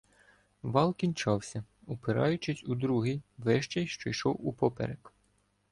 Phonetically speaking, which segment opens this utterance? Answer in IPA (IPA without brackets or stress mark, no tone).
ʋ